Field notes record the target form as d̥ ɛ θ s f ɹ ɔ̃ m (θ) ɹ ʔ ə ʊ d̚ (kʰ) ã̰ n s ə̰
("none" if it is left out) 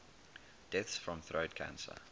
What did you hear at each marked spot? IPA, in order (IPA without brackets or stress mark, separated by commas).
θ, kʰ